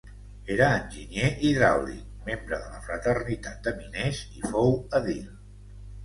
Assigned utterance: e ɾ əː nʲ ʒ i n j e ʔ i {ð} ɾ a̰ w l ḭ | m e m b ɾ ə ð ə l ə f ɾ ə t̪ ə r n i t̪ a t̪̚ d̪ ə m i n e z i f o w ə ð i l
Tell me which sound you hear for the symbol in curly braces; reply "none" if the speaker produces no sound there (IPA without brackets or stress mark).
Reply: ð